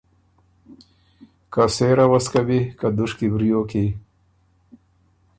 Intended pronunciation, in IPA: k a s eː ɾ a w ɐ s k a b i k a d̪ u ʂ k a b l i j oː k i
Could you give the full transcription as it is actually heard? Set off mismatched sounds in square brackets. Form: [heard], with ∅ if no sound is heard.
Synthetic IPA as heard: k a s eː ɾ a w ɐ s k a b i k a d̪ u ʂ k [i] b [ɾ] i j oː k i